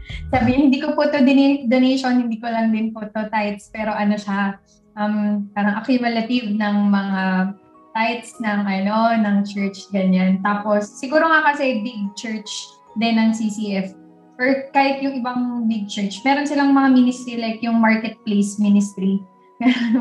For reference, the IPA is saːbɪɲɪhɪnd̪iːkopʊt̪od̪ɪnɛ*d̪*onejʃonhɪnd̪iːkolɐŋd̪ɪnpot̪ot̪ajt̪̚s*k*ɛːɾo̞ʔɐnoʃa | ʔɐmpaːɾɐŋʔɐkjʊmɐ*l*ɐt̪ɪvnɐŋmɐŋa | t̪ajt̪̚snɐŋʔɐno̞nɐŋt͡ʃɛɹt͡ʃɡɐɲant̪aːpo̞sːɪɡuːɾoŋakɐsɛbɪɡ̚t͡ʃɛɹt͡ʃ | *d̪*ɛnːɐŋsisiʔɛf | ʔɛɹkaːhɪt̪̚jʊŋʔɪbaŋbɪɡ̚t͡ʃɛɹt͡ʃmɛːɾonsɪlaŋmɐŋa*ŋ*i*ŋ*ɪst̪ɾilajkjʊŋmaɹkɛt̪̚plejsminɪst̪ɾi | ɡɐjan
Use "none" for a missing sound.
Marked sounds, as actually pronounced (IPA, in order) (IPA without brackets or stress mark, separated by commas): d̪, p, l, d̪, m, n